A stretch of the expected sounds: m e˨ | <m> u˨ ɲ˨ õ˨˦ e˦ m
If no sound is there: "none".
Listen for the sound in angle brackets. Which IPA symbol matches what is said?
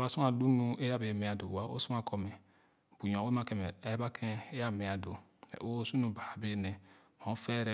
b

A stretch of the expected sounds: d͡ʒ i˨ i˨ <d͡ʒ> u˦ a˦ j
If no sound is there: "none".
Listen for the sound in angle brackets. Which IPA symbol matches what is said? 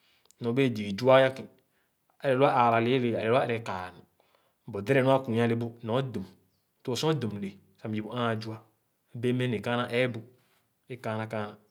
d͡ʒ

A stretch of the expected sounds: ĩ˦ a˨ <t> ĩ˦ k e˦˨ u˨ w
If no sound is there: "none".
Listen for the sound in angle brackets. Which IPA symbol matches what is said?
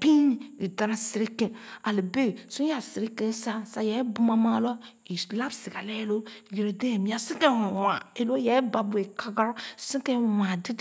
s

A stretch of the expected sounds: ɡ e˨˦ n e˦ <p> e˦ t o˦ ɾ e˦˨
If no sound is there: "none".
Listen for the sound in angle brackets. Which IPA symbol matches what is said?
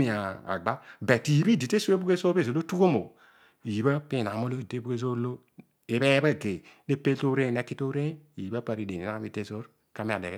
p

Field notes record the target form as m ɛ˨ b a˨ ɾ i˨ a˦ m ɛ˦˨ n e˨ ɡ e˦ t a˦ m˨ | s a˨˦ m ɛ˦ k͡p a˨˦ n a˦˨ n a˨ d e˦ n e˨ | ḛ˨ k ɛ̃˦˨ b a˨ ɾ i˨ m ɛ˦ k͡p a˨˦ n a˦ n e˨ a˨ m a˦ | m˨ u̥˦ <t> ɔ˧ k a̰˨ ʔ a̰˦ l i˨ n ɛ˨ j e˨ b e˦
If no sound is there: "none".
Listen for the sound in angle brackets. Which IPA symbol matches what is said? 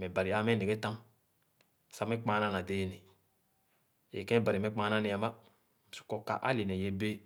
k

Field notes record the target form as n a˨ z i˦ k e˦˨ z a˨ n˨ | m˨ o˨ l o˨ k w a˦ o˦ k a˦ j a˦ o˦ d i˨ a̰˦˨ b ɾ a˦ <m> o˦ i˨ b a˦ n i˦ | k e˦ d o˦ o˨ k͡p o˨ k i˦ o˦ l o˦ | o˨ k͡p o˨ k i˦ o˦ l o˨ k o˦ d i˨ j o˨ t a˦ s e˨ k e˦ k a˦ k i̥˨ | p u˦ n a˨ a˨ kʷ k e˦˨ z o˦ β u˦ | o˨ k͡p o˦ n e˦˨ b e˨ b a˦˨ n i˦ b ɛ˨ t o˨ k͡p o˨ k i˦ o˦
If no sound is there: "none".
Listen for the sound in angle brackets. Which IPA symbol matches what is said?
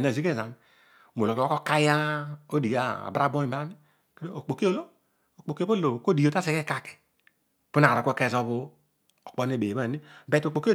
b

